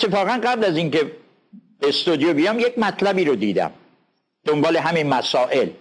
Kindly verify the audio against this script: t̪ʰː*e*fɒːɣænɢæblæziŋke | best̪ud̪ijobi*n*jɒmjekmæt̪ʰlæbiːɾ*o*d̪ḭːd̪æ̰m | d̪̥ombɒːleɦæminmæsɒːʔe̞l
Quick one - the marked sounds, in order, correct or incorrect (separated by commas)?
correct, incorrect, correct